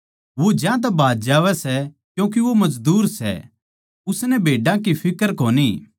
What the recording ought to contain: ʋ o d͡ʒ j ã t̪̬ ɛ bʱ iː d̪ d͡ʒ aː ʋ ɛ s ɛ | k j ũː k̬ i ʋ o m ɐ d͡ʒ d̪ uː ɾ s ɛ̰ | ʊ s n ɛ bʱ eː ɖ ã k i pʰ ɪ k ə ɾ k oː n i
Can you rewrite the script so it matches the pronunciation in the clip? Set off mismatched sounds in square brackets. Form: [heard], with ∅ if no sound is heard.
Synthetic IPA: ʋ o d͡ʒ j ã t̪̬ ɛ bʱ [aː] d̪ d͡ʒ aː ʋ ɛ s ɛ | k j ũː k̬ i ʋ o m ɐ d͡ʒ d̪ uː ɾ s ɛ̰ | ʊ s n ɛ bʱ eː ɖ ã k i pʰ ɪ k ə ɾ k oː n i